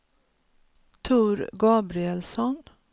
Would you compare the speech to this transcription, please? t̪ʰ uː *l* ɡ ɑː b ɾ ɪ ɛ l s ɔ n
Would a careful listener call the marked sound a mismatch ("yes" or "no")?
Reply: yes